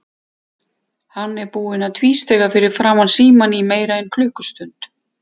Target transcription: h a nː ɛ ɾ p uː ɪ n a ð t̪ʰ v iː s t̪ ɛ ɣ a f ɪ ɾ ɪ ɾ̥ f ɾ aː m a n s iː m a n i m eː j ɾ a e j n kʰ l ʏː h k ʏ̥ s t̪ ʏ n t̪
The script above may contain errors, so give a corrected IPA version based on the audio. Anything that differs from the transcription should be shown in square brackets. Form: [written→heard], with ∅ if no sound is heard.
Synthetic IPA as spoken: h a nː ɛ ɾ p uː ɪ n a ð t̪ʰ v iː s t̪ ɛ ɣ a f ɪ ɾ ɪ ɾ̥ f ɾ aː m a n s iː m a n i m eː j ɾ a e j n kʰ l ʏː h k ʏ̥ s t̪ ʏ n t̪

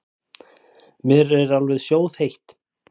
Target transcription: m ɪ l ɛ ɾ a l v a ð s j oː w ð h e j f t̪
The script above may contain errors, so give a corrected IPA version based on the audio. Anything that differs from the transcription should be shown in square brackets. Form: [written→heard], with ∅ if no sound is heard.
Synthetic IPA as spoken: m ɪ [l→ɾ] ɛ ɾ a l v [a→ɛ] ð s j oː w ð h e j [f→h] t̪

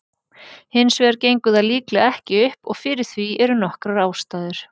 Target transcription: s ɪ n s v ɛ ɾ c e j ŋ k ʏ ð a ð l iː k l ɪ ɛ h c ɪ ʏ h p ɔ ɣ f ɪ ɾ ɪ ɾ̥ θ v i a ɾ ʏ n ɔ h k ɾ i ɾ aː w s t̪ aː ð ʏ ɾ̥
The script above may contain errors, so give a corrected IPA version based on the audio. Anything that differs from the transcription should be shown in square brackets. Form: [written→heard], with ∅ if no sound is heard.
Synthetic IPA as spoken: [s→h] ɪ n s v ɛ ɾ c e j ŋ k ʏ ð a ð l iː k l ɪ ɛ h c ɪ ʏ h p ɔ ɣ f ɪ ɾ ɪ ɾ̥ θ v i [a→ɛ] ɾ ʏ n ɔ h k ɾ [i→a] ɾ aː w s t̪ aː ð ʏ ɾ̥

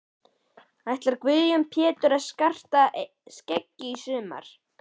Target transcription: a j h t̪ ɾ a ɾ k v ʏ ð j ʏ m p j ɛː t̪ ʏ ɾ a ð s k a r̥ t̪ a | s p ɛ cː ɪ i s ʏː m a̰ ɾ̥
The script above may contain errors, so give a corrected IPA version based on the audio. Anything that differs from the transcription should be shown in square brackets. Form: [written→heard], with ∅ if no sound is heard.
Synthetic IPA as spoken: a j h t̪ [ɾ→l] a ɾ k v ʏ ð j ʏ m [p→pʰ] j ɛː t̪ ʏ ɾ a ð s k a r̥ t̪ a | s [p→c] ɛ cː ɪ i s ʏː m a̰ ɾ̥

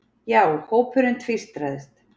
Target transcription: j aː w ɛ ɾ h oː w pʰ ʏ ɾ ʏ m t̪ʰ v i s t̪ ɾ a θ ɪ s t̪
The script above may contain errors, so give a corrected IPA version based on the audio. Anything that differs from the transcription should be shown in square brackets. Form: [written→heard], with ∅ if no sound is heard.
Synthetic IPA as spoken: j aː w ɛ ɾ h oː w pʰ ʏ ɾ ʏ [m→n] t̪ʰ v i s t̪ ɾ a [θ→ð] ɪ s t̪

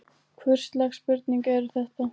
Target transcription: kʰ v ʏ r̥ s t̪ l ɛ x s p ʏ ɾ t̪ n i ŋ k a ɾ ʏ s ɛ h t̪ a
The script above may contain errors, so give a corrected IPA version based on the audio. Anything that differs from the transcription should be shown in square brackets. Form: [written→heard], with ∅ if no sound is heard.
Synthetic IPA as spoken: kʰ v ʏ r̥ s t̪ l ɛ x s p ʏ ɾ t̪ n i ŋ k [a→ɛ] ɾ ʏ [s→θ] ɛ h t̪ a

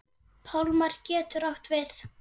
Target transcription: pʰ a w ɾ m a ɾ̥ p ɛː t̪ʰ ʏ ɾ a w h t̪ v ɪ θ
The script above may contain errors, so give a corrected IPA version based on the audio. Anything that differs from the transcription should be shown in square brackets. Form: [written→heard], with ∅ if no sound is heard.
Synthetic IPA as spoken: pʰ a w [ɾ→l] m a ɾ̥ [p→c] ɛː [t̪ʰ→t̪] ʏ ɾ a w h t̪ v ɪ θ

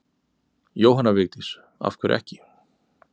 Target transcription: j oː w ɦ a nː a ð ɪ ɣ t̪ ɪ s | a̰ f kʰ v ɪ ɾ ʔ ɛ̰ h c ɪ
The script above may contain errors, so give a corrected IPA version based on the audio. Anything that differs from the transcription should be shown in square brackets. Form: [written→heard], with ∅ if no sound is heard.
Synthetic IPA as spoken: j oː w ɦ a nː a [ð→v] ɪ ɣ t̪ ɪ s | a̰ f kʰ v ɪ ɾ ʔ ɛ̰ h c ɪ

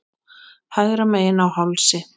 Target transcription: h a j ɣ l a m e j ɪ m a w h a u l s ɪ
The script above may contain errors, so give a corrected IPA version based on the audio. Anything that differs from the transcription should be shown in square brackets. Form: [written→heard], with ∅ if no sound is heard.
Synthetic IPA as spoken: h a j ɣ [l→ɾ] a m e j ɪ [m→n] a w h a [u→w] l s ɪ

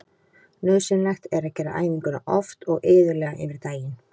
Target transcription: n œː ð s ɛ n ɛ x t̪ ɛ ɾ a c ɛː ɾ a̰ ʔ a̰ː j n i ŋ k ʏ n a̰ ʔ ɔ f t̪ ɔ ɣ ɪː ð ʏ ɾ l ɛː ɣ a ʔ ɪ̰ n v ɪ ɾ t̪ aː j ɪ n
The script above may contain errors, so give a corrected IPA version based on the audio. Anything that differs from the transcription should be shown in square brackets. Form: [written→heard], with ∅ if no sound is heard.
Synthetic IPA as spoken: n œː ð s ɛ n ɛ x t̪ ɛ ɾ a c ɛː ɾ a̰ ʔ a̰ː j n i ŋ k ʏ n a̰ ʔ ɔ f t̪ ɔ ɣ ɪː ð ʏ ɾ l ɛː ɣ a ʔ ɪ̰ n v ɪ ɾ t̪ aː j ɪ n

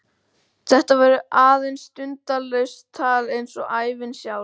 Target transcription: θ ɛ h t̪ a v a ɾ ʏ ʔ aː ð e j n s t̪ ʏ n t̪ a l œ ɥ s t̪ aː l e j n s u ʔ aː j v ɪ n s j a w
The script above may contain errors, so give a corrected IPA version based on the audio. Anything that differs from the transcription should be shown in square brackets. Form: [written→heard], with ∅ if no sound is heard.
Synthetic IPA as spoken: θ ɛ h t̪ a v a ɾ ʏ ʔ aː ð e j n s t̪ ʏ n t̪ a l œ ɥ s [t̪→t̪ʰ] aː l e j n s [u→ɔ] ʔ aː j v ɪ n s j a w

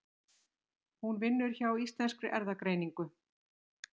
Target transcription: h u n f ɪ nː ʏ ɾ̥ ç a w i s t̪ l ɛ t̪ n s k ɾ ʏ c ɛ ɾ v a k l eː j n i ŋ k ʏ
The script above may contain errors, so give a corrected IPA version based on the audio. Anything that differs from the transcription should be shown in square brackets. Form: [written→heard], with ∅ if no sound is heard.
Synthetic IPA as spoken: h u n [f→v] ɪ nː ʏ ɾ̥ ç a w i s t̪ l ɛ [t̪→∅] n s k ɾ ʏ [c→ʔ] ɛ ɾ [v→ð] a k [l→ɾ] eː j n i ŋ k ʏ

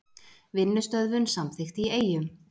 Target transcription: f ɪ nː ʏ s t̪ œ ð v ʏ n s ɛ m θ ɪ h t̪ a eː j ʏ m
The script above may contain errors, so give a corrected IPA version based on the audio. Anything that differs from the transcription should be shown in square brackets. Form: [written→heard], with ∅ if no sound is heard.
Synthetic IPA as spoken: [f→v] ɪ nː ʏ s t̪ œ ð v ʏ n s [ɛ→a] m θ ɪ [h→x] t̪ [a→i] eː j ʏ m

